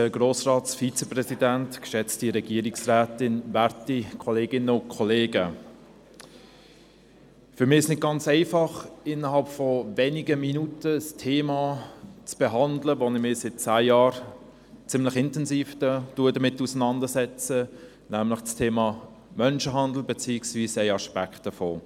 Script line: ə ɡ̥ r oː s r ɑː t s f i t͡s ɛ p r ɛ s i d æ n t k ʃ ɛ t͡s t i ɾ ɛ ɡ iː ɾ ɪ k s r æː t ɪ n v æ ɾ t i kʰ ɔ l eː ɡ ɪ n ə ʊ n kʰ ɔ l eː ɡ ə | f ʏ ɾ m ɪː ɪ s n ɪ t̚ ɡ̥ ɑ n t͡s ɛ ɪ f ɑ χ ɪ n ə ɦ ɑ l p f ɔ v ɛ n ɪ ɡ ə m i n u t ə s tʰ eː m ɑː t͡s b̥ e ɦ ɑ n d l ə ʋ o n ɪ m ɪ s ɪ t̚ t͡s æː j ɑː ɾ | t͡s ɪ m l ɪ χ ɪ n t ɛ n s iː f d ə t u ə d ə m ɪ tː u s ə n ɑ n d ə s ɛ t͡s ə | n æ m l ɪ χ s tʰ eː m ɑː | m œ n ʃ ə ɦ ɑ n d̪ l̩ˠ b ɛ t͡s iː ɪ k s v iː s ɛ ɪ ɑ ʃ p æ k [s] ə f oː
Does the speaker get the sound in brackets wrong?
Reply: yes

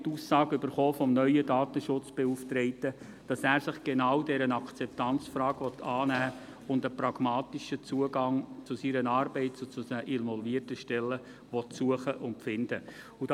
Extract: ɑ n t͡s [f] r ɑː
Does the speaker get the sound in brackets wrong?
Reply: no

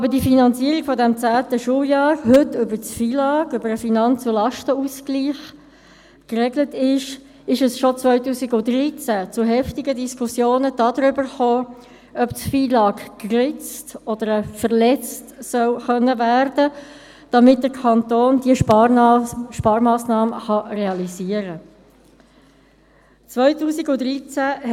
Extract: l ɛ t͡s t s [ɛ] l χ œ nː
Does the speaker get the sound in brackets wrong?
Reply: yes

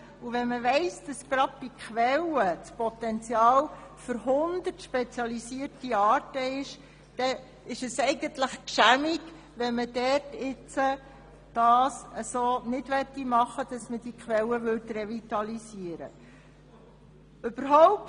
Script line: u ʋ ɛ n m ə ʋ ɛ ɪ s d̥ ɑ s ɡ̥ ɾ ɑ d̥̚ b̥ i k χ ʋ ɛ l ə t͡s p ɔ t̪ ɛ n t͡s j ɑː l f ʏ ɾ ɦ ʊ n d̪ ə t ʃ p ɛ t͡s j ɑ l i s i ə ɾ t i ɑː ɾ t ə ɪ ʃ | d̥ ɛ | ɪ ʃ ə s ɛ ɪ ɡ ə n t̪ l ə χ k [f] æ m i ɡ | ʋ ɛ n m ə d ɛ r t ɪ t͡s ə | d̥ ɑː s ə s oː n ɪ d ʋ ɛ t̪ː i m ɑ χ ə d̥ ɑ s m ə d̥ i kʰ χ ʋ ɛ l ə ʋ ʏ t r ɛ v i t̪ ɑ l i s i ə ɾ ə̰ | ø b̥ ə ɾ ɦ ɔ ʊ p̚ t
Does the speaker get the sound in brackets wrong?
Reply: yes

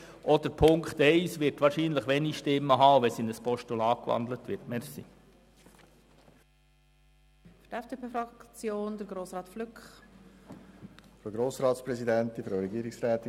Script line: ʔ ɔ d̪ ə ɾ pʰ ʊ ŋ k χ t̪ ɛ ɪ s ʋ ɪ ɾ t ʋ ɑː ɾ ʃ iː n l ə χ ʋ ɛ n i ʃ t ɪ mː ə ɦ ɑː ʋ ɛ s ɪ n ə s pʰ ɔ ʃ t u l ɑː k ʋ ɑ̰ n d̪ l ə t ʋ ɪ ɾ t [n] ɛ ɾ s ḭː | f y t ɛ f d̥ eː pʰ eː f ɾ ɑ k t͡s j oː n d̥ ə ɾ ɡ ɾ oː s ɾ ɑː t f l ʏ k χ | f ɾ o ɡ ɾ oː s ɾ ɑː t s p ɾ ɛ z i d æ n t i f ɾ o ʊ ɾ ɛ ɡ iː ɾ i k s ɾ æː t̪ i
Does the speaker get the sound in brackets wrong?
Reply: yes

